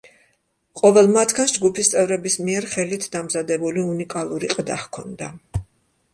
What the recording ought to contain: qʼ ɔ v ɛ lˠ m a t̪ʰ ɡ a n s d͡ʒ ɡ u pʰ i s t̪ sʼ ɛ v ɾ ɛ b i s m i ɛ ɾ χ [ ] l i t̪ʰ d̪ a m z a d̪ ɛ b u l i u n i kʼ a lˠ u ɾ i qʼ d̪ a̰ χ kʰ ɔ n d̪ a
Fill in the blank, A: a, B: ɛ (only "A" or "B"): B